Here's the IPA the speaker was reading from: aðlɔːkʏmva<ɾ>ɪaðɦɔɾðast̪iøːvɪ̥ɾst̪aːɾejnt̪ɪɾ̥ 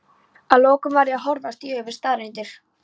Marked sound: correct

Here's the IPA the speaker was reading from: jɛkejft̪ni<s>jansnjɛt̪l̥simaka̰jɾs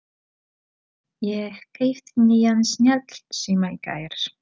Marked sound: incorrect: none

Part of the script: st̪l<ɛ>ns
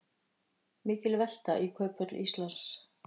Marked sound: incorrect: a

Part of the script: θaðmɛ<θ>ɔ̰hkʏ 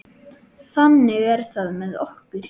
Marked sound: incorrect: ð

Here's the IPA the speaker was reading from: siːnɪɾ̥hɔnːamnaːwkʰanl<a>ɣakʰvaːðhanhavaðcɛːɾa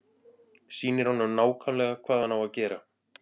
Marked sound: incorrect: ɛ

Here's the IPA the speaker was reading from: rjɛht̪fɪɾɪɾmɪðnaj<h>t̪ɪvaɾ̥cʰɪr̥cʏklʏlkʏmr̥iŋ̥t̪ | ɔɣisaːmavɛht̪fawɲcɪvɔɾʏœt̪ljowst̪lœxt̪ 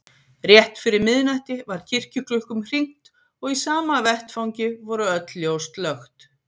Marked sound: correct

